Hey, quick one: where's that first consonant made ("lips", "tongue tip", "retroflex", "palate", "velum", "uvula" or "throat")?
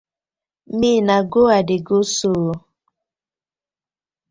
lips